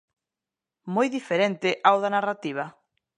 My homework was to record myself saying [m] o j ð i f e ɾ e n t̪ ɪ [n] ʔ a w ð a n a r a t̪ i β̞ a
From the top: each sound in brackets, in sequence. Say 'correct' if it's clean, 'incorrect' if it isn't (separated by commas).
correct, incorrect